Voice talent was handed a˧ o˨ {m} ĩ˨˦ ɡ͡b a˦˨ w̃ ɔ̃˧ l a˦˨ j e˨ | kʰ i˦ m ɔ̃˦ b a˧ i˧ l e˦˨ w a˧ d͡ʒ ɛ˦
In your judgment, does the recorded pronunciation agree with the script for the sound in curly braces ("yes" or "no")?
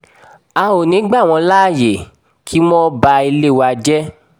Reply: no